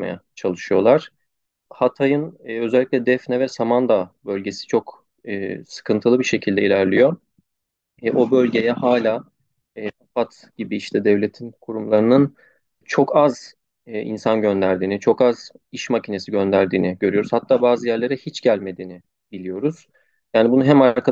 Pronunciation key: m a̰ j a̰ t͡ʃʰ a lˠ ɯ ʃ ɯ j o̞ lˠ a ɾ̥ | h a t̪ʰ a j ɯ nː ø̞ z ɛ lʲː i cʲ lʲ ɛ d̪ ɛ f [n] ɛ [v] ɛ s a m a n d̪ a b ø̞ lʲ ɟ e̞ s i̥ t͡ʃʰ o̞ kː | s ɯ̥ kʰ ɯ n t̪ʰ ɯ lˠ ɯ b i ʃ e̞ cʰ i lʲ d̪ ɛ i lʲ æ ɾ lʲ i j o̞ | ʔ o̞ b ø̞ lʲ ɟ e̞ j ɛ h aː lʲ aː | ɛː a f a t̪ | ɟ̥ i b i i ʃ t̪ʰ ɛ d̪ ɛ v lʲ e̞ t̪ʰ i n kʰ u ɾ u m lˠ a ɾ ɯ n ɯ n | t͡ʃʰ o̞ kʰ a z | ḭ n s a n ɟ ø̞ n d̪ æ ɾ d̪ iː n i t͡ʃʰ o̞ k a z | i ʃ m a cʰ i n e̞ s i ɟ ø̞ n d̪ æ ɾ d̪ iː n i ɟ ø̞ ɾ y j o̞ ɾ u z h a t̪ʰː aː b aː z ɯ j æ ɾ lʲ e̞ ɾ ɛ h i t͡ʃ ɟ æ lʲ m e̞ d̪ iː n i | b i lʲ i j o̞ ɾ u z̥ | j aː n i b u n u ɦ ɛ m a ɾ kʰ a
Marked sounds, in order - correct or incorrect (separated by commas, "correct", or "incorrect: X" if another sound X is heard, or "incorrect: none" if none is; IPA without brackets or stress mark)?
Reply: correct, correct